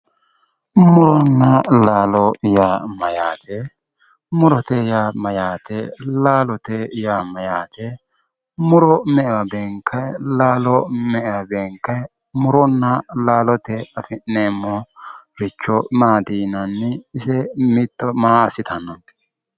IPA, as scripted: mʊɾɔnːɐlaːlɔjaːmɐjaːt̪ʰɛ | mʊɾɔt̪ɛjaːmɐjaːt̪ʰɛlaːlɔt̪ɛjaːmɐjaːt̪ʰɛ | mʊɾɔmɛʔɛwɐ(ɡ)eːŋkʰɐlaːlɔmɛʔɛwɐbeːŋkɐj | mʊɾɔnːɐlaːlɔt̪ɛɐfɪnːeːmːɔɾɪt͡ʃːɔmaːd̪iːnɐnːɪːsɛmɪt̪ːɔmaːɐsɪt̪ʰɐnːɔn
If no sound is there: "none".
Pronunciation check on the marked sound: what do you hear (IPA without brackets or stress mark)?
b